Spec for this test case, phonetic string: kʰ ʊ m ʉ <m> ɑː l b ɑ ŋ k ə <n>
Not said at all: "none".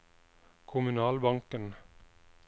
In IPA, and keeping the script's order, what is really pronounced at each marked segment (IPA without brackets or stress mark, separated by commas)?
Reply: n, n